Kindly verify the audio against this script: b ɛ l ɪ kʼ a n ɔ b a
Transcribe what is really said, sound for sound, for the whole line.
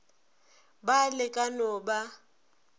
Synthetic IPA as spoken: b a l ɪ kʼ a n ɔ b a